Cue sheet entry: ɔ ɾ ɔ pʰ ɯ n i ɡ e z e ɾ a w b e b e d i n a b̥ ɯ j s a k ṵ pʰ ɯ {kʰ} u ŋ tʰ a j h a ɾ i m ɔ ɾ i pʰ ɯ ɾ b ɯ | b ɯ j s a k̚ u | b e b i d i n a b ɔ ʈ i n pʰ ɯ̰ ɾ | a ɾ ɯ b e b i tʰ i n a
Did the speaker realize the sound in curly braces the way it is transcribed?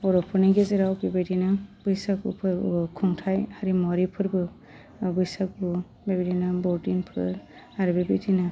yes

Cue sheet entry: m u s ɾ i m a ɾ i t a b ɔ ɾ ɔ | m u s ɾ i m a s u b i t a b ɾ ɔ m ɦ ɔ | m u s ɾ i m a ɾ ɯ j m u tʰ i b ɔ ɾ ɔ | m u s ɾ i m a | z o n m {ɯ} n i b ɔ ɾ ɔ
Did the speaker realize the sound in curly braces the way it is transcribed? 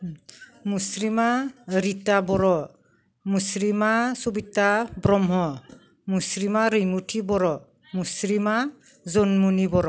no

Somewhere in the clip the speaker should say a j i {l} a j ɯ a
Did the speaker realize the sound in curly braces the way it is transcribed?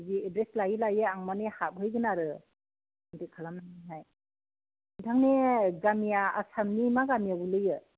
yes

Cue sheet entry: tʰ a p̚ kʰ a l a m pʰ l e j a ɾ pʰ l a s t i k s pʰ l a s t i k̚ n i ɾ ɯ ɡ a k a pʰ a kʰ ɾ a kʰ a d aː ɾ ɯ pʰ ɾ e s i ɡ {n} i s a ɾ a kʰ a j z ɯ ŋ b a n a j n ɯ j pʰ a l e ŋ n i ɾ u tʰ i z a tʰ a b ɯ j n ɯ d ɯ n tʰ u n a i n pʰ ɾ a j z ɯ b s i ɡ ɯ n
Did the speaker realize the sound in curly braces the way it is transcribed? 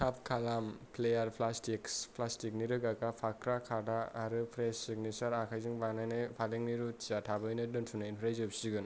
yes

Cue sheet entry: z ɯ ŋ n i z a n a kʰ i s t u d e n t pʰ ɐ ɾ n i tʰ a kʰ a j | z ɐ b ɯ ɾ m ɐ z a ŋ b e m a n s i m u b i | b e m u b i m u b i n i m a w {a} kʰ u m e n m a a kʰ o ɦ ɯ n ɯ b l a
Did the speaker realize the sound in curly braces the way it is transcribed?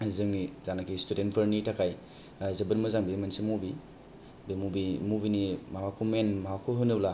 yes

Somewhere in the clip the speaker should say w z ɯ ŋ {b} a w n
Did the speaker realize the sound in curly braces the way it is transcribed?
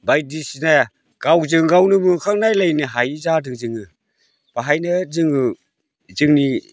no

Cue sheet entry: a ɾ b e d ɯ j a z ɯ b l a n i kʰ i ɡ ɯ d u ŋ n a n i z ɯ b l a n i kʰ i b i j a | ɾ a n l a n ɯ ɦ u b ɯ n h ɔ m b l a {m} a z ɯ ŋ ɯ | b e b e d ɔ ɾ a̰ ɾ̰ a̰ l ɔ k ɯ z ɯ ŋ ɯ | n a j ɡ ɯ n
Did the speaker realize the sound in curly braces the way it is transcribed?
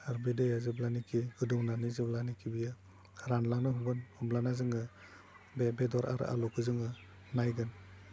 no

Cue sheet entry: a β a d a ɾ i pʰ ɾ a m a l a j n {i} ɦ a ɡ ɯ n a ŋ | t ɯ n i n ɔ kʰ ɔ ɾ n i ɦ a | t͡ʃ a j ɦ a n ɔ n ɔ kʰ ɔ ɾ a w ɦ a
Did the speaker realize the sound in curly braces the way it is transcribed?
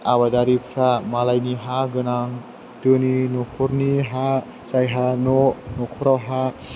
yes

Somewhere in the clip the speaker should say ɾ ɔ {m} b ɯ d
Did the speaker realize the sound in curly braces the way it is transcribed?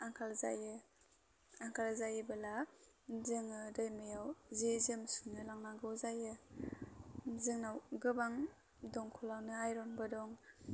no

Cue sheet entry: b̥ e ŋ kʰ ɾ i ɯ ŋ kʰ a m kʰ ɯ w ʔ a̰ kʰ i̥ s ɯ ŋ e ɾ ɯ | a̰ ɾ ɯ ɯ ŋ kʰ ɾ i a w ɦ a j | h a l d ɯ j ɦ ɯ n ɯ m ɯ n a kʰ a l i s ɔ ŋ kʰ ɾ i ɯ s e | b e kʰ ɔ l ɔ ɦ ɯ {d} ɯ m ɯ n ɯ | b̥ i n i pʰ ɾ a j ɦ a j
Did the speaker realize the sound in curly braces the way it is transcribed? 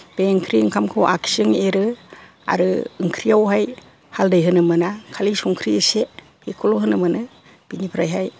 no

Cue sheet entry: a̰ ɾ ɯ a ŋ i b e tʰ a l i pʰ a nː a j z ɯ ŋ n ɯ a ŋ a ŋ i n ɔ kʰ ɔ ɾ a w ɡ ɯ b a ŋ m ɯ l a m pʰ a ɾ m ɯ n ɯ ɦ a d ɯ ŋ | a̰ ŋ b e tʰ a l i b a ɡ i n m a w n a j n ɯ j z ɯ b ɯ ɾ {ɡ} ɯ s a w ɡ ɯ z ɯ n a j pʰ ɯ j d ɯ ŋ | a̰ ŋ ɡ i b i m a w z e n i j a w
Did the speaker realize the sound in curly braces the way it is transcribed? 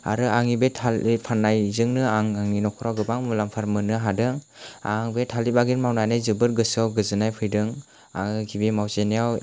yes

